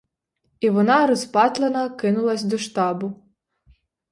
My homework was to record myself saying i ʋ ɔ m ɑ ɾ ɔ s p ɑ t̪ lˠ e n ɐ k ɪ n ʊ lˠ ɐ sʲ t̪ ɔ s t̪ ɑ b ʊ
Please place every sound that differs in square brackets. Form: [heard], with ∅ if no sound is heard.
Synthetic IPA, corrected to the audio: i ʋ ɔ [n] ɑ ɾ ɔ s p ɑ t̪ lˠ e n ɐ k ɪ n ʊ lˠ ɐ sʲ [d̪] ɔ [ʃ] t̪ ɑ b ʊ